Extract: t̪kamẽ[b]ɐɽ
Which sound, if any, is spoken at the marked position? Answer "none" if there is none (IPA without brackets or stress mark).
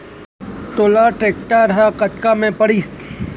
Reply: p